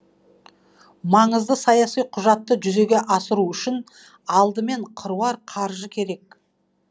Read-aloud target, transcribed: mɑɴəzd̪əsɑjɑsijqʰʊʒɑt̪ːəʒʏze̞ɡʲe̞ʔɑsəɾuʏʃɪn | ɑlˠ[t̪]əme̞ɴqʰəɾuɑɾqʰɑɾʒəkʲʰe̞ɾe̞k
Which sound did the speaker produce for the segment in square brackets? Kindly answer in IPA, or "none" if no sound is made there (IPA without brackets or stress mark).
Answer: d̪